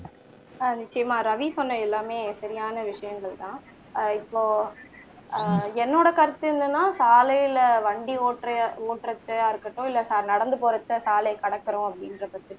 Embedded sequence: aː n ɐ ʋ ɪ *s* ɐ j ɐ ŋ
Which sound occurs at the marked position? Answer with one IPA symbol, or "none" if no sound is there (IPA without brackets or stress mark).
ʂ